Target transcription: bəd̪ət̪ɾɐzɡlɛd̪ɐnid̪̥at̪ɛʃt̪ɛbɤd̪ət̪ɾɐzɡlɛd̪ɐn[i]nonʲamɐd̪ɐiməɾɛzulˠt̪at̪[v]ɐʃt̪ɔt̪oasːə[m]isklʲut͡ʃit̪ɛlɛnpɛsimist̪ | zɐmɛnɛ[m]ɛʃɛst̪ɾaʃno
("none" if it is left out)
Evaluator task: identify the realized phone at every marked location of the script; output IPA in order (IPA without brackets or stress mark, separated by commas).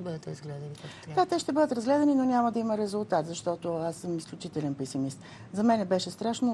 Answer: i, z, m, b